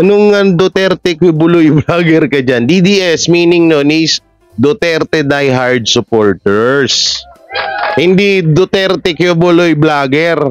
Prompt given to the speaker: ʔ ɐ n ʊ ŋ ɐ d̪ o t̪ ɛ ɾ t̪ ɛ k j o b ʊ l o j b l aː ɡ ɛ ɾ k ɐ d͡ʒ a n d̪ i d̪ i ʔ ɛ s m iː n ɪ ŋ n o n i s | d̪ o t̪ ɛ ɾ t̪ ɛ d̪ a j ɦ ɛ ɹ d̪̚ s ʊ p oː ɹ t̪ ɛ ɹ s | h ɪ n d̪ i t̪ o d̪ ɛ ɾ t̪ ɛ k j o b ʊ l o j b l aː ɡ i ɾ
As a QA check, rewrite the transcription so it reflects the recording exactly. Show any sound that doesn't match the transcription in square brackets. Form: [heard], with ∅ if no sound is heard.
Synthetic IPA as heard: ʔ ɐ n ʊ ŋ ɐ d̪ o t̪ ɛ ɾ t̪ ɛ k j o b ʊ l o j b l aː ɡ ɛ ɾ k ɐ d͡ʒ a n d̪ i d̪ i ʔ ɛ s m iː n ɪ ŋ n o n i s | d̪ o t̪ ɛ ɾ t̪ ɛ d̪ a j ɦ [a] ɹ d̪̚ s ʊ p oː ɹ t̪ ɛ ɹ s | h ɪ n d̪ i [d̪] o [t̪] ɛ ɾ t̪ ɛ k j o b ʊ l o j b l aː ɡ [ɛ] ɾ

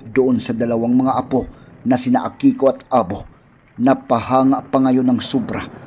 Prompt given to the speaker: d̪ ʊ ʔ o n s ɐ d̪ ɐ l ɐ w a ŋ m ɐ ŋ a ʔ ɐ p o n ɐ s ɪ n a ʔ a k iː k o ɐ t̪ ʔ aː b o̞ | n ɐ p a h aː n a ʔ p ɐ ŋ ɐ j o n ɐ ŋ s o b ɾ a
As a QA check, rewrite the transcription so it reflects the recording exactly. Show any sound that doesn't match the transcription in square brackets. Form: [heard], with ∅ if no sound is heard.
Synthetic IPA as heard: d̪ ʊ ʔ o n s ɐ d̪ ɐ l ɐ w a ŋ m ɐ ŋ a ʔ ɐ p o n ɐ s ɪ n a ʔ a k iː k o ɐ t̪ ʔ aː b o̞ | n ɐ p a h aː [ŋ] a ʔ p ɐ ŋ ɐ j o n ɐ ŋ s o b ɾ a

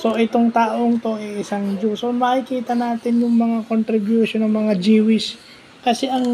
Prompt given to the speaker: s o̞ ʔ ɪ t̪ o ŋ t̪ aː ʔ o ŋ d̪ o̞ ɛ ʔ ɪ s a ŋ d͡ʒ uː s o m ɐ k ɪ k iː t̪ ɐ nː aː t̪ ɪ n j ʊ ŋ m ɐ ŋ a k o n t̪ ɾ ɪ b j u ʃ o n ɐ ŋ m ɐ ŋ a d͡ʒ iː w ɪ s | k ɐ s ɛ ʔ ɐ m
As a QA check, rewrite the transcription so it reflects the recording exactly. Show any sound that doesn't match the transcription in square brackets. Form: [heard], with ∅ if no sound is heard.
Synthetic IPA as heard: s o̞ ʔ ɪ t̪ o ŋ t̪ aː ʔ o ŋ [t̪] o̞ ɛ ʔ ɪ s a ŋ d͡ʒ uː s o m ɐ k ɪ k iː t̪ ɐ [n] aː t̪ ɪ n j ʊ ŋ m ɐ ŋ a k o n t̪ ɾ ɪ b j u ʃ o n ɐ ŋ m ɐ ŋ a d͡ʒ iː w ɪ s | k ɐ s ɛ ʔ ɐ [ŋ]

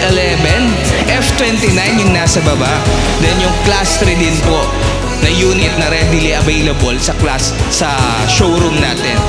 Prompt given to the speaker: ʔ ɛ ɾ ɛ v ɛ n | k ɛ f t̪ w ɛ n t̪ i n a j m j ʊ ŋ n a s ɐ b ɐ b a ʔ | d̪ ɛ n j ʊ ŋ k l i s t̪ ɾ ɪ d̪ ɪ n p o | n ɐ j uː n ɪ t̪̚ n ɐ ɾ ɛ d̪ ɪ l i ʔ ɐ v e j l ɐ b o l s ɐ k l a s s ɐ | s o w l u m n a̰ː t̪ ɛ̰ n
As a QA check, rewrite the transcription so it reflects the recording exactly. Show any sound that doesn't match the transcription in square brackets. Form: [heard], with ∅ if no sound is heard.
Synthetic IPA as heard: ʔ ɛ [l] ɛ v ɛ n | [ʔ] ɛ f t̪ w ɛ n t̪ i n a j [n] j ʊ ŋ n a s ɐ b ɐ b a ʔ | d̪ ɛ n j ʊ ŋ k l [a] s t̪ ɾ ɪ d̪ ɪ n p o | n ɐ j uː n ɪ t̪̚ n ɐ ɾ ɛ d̪ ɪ l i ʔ ɐ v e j l ɐ b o l s ɐ k l a s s ɐ | [ʃ] o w [ɾ] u m n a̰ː t̪ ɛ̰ n

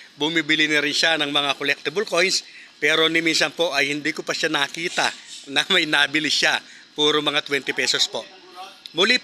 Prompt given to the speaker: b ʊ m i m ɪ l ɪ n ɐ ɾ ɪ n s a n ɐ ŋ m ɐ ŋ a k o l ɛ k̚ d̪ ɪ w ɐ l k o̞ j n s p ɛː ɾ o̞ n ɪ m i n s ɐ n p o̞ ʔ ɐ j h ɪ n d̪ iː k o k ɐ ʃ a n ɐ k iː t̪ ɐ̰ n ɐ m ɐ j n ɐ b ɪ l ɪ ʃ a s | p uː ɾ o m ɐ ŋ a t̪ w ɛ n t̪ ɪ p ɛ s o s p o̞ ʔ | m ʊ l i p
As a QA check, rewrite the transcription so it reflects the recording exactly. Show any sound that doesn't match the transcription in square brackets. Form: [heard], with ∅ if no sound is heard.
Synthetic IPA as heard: b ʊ m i [b] ɪ l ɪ n ɐ ɾ ɪ n [ʃ] a n ɐ ŋ m ɐ ŋ a k o l ɛ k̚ [t̪] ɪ [b] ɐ l k o̞ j n s p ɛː ɾ o̞ n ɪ m i n s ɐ n p o̞ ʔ ɐ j h ɪ n d̪ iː k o [p] ɐ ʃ a n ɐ k iː t̪ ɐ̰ n ɐ m ɐ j n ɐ b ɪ l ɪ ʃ a [∅] | p uː ɾ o m ɐ ŋ a t̪ w ɛ n t̪ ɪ p ɛ s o s p o̞ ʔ | m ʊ l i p

